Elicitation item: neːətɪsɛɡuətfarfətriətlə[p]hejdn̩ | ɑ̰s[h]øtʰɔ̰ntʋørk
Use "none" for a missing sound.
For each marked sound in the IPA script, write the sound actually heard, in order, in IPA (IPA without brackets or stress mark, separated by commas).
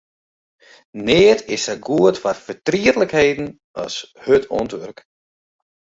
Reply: k, h